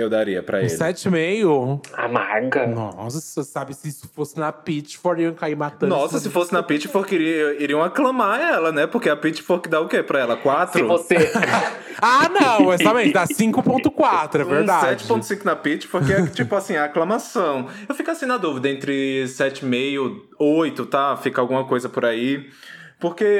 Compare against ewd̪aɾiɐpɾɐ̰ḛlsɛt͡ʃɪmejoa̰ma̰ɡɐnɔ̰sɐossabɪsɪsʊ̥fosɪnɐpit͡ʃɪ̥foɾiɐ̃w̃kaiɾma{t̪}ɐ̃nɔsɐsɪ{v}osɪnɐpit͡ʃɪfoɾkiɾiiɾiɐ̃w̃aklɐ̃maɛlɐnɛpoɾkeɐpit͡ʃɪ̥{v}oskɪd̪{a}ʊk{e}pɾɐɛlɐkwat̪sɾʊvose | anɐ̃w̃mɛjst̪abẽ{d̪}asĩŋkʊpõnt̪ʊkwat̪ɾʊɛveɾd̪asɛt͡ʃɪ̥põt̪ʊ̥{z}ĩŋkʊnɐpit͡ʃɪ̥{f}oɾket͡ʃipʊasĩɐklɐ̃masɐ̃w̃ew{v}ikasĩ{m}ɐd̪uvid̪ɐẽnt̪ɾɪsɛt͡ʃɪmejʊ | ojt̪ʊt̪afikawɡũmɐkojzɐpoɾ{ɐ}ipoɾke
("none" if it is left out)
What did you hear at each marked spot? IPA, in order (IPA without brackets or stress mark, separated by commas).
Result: t̪, f, f, a, e, d̪, s, f, f, n, a